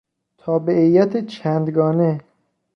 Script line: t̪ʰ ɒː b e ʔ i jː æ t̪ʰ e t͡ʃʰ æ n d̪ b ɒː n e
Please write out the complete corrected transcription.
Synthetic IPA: t̪ʰ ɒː b e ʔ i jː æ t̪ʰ e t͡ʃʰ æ n d̪ ɡ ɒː n e